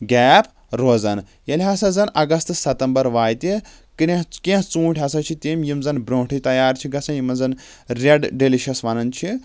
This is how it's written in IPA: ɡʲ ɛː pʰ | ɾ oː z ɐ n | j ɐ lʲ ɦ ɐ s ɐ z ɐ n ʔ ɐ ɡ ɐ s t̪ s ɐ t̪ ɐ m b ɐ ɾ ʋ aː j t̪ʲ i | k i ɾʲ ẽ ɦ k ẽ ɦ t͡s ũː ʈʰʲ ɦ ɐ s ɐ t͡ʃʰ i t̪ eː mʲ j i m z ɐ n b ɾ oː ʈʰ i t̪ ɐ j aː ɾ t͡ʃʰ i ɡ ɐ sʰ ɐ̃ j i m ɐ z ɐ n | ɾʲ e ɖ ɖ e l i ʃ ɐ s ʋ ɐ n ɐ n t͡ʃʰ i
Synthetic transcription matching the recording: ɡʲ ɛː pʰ | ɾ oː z ɐ n | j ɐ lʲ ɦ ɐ s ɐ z ɐ n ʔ ɐ ɡ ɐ s t̪ s ɐ t̪ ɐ m b ɐ ɾ ʋ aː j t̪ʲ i | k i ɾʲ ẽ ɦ k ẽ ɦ t͡s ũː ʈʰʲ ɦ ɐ s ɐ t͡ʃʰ i t̪ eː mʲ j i m z ɐ n b ɾ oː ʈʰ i t̪ ɐ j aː ɾ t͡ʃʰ i ɡ ɐ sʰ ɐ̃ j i m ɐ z ɐ n | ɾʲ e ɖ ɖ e l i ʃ ɐ s ʋ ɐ n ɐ n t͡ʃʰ i